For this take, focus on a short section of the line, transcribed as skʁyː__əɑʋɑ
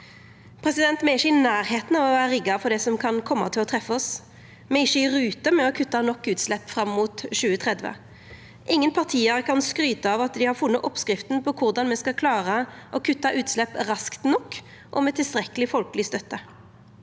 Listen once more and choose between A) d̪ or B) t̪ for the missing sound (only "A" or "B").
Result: B